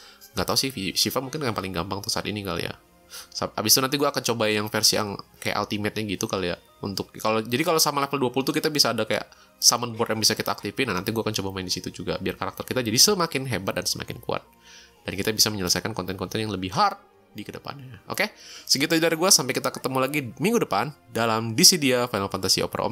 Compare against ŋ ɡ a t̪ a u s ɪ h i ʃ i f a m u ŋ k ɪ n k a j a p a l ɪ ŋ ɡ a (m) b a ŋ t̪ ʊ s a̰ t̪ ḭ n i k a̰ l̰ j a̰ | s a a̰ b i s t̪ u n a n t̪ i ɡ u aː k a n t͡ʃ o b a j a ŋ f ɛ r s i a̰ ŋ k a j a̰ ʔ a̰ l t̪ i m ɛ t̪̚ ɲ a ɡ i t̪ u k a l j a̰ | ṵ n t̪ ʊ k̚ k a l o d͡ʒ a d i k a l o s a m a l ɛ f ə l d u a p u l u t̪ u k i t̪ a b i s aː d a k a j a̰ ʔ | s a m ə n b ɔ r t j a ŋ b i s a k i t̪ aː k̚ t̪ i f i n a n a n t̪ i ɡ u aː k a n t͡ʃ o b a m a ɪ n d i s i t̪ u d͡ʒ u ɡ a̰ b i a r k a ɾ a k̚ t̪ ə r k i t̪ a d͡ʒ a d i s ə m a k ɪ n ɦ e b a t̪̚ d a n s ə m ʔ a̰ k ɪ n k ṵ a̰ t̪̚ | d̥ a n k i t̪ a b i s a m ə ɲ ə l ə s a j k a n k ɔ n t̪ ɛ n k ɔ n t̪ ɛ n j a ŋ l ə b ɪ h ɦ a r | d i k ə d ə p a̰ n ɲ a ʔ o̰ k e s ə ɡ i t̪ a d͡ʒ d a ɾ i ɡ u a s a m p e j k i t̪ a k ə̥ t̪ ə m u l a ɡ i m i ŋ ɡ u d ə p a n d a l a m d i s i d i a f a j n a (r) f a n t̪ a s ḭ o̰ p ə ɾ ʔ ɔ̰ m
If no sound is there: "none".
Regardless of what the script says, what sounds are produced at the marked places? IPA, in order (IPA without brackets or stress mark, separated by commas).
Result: m, l